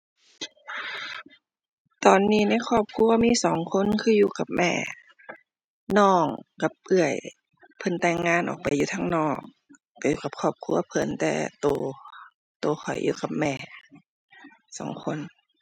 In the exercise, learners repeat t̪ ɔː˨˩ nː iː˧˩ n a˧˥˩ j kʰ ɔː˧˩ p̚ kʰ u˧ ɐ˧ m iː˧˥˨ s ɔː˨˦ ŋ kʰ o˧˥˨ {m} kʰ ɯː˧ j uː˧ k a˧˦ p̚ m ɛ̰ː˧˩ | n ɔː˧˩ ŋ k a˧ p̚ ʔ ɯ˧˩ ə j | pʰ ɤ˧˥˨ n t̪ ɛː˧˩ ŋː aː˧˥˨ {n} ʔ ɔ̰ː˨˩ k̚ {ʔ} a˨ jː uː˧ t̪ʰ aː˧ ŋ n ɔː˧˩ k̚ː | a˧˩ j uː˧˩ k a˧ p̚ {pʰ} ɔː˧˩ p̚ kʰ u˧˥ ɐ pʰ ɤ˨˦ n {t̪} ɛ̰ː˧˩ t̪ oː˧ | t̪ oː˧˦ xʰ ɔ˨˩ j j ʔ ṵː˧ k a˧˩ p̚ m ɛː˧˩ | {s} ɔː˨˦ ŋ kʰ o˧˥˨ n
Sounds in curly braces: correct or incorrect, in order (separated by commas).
incorrect, correct, incorrect, incorrect, correct, correct